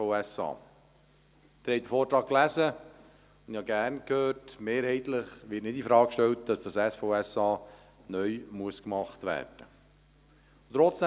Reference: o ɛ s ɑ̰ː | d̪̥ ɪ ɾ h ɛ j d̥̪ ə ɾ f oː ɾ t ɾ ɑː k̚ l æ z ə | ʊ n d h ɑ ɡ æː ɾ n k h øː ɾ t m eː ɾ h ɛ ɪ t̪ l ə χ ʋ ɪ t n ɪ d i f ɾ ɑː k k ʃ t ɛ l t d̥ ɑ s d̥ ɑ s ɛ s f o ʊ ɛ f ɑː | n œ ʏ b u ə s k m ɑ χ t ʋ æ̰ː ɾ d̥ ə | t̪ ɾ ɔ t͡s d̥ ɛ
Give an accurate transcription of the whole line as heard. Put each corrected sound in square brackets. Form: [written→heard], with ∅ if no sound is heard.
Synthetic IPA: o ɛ s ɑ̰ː | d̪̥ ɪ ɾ h ɛ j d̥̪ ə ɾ f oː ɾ t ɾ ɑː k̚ l æ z ə | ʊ n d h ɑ ɡ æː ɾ n k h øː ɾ t m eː ɾ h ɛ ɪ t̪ l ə χ ʋ ɪ t n ɪ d i f ɾ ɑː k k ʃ t ɛ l t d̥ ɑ s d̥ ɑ s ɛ s f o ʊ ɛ [f→s] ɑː | n œ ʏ [b→m] u ə s k m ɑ χ t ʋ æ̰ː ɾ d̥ ə | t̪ ɾ ɔ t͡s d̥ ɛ